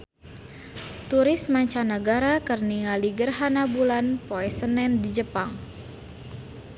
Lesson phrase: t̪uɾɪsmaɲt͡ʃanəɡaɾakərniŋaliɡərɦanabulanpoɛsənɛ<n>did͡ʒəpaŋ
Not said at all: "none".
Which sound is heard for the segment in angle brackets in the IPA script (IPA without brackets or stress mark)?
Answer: n